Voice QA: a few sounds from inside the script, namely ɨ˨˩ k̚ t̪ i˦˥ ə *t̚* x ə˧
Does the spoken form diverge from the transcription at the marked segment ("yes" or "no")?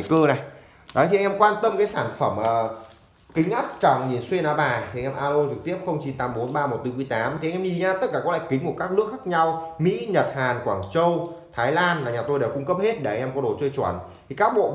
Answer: yes